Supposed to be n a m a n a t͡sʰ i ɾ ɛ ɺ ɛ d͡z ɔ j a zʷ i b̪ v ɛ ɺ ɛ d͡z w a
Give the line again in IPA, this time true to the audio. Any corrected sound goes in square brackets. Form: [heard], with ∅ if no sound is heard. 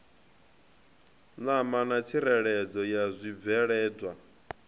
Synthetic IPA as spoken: n a m a n a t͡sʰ i ɾ ɛ ɺ ɛ d͡z ɔ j a zʷ i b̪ v ɛ ɺ [ɛː] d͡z w a